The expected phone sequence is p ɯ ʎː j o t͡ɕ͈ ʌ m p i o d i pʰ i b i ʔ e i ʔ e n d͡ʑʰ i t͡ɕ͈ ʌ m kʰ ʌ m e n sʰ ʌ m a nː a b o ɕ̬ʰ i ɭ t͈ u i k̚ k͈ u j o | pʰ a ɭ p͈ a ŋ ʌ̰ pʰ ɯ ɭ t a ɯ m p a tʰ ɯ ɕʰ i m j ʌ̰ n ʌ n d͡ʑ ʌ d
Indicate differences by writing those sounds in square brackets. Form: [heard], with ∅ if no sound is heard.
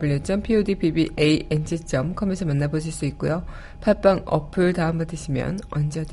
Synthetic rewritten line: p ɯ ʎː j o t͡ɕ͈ ʌ m [pʰ] i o d i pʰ i b i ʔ e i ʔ e n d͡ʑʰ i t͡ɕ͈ ʌ m kʰ ʌ m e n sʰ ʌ m a nː a b o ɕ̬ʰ i ɭ [s͈] u i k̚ k͈ u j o | pʰ a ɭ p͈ a ŋ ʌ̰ pʰ ɯ ɭ t a ɯ m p a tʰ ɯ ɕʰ i m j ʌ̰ n ʌ n d͡ʑ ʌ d